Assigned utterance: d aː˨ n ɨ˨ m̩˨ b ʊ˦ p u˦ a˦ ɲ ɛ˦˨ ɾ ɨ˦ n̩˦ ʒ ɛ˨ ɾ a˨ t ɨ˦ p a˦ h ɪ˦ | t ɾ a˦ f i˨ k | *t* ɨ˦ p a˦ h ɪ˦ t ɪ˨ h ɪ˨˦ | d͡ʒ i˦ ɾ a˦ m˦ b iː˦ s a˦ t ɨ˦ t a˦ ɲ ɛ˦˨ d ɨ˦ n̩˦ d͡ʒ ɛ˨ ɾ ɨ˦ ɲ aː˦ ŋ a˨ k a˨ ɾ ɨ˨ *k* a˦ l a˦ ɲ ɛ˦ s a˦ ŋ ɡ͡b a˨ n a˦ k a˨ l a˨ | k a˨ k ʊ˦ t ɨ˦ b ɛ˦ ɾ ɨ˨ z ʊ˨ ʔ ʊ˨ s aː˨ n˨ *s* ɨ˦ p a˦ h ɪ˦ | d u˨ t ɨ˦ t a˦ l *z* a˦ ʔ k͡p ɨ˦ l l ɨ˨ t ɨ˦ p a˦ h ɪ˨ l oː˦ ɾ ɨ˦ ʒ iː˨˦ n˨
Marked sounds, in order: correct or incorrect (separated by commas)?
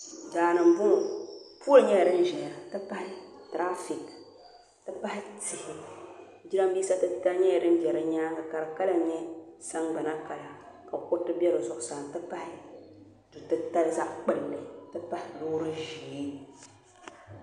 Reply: correct, correct, incorrect, correct